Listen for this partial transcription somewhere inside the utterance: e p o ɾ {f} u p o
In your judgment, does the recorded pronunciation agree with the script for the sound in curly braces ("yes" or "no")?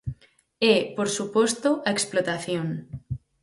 no